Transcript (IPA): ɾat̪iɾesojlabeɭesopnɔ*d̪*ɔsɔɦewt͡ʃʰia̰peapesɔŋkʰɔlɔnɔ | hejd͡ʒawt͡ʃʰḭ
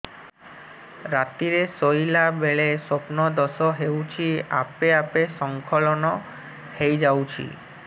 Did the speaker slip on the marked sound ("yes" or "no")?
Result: no